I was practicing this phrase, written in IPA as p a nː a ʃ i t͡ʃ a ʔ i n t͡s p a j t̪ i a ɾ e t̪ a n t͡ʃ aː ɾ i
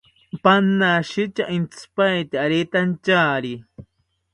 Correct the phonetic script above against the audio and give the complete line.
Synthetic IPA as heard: p a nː a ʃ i t͡ʃ a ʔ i n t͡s p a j t̪ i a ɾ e t̪ a n t͡ʃ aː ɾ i